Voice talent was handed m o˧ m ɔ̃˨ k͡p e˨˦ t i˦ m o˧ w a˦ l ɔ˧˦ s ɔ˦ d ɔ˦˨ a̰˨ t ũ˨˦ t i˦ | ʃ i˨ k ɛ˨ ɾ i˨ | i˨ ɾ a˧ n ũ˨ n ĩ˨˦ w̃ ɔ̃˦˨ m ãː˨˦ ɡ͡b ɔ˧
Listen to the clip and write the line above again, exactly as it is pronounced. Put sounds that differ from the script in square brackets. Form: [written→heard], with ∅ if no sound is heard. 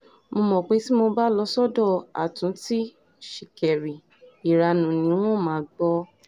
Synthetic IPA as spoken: m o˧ m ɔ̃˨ k͡p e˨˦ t i˦ m o˧ [w→b] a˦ l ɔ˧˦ s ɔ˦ d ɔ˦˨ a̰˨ t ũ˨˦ t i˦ | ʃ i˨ k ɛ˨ ɾ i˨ | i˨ ɾ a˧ n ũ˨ n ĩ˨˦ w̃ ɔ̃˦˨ m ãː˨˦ ɡ͡b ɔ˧